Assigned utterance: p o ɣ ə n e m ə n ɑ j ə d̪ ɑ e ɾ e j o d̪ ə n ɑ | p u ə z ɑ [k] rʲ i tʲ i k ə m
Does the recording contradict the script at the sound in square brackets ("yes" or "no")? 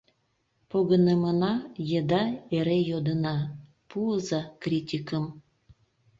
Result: no